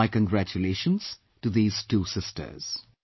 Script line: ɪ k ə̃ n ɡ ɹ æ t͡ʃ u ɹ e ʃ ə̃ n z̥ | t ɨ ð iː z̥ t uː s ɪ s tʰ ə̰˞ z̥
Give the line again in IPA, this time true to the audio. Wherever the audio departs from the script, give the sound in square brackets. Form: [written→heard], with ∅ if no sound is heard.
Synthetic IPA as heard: ɪ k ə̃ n ɡ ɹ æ t͡ʃ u [ɹ→l] e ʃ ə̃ n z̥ | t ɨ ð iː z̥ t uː s ɪ s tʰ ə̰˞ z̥